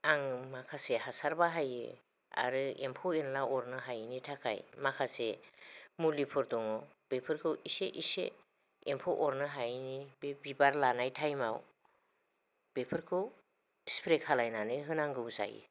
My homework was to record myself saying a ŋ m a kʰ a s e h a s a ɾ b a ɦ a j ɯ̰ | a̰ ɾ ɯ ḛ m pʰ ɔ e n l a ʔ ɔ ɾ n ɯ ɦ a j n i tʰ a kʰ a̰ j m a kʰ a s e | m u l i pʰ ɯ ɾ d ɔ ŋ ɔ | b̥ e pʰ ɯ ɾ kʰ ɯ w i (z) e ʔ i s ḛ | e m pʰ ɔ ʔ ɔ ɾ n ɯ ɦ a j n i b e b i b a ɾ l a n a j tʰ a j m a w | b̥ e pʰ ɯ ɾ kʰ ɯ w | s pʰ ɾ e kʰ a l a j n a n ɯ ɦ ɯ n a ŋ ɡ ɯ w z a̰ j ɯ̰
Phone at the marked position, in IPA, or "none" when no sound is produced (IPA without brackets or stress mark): s